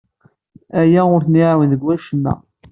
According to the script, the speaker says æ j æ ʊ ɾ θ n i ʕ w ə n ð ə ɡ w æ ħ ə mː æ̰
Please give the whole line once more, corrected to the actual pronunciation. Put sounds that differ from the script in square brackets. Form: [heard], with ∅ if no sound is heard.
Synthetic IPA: æ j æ ʊ ɾ θ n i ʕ w ə n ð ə ɡ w æ [ʃ] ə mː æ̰